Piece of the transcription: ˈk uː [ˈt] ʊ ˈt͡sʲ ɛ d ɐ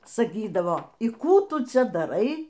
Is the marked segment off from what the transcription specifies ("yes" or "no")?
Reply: no